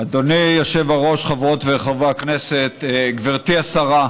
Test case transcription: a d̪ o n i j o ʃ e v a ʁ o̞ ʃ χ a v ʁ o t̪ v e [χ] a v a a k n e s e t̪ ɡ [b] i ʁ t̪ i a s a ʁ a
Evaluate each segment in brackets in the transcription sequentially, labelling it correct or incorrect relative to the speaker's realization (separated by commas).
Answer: correct, incorrect